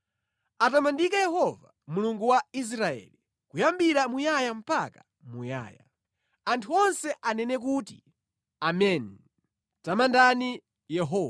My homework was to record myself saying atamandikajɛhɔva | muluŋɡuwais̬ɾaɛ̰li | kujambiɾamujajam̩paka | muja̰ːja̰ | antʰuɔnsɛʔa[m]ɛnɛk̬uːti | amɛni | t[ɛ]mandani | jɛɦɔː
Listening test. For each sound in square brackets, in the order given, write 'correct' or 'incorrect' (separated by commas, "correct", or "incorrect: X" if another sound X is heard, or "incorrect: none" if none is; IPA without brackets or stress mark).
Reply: incorrect: n, incorrect: a